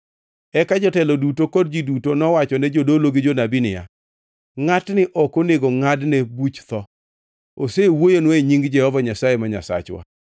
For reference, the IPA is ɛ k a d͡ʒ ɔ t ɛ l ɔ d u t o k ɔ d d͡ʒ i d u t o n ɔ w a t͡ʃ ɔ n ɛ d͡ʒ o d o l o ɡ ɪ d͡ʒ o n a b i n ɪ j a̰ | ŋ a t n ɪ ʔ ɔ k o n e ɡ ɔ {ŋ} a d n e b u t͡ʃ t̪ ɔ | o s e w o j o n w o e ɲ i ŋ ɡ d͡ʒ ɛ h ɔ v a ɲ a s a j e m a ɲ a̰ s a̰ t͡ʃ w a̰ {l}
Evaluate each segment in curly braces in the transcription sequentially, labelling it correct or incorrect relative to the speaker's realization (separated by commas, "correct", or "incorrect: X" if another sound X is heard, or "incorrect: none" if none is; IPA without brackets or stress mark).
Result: correct, incorrect: none